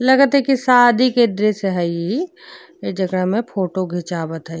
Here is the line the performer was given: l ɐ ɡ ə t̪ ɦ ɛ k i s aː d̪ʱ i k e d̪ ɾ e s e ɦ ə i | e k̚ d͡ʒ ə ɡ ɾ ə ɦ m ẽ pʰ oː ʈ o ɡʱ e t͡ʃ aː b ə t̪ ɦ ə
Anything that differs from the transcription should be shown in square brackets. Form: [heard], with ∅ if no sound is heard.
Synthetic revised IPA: l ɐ ɡ ə t̪ ɦ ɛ k i s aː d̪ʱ i k e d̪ ɾ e s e ɦ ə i | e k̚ d͡ʒ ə ɡ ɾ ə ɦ m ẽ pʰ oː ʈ o ɡʱ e t͡ʃ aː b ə t̪ ɦ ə